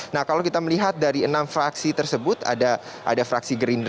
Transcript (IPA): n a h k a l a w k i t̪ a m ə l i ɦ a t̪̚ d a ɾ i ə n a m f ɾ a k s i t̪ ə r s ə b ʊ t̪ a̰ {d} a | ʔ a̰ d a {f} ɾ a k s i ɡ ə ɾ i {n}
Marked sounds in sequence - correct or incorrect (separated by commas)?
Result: correct, correct, correct